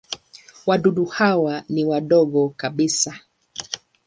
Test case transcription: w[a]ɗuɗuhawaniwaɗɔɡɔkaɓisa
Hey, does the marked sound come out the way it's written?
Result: yes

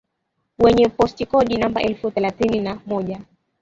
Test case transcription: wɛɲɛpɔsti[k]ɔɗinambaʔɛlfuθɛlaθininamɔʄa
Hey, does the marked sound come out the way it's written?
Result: yes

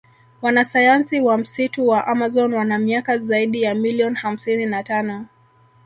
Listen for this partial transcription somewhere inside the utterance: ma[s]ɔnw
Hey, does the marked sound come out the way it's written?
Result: no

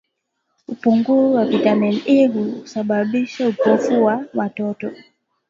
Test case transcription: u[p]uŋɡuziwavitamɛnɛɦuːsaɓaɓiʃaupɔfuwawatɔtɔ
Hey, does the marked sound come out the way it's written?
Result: yes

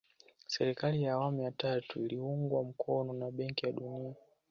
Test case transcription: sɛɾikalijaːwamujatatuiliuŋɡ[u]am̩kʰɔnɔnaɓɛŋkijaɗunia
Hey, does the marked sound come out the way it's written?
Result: no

